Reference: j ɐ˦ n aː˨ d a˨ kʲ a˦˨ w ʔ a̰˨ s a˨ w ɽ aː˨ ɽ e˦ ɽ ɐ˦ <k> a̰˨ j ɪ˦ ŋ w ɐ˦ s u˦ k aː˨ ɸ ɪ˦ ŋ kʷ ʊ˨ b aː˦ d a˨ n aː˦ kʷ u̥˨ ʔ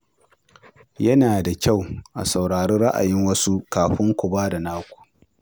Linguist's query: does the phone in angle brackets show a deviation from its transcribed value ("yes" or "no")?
yes